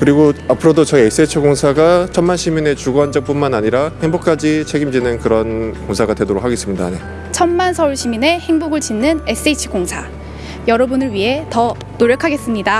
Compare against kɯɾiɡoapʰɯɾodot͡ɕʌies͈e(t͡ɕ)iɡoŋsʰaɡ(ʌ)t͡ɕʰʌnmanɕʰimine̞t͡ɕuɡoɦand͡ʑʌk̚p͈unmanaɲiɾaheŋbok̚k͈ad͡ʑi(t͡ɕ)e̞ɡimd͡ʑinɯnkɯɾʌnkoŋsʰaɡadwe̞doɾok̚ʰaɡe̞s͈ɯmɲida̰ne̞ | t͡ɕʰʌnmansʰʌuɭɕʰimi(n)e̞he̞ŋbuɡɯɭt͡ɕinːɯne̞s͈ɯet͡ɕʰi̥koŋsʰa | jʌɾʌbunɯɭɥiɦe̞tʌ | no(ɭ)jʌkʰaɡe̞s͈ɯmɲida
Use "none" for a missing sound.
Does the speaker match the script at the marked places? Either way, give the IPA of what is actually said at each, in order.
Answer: t͡ɕʰ, a, t͡ɕʰ, n, ɾ

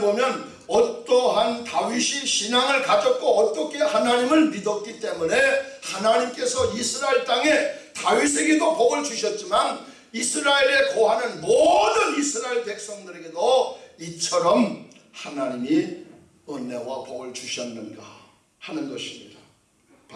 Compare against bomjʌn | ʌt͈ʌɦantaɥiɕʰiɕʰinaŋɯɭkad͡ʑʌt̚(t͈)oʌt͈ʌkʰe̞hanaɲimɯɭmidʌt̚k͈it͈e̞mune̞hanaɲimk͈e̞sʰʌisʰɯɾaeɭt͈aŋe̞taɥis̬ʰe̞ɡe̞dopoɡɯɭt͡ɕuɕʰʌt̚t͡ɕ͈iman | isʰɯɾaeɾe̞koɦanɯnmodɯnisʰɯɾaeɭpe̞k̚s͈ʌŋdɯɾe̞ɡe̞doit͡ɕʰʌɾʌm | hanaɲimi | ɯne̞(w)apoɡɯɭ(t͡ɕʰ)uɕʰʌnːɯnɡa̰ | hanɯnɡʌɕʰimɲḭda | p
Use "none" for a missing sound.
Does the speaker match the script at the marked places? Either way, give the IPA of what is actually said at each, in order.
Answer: k͈, w, t͡ɕ

